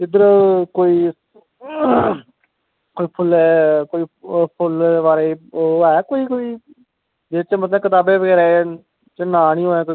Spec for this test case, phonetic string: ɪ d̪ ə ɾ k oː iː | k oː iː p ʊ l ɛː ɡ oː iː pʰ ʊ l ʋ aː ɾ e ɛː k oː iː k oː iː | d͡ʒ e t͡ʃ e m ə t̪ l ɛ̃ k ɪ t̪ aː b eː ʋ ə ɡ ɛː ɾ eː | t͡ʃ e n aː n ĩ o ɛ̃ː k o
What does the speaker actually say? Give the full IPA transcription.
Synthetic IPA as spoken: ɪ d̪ ə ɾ k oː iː | k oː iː pʰ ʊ l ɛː k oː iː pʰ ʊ l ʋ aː ɾ e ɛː k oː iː k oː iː | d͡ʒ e t͡ʃ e m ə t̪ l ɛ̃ k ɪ t̪ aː b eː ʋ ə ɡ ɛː ɾ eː | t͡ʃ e n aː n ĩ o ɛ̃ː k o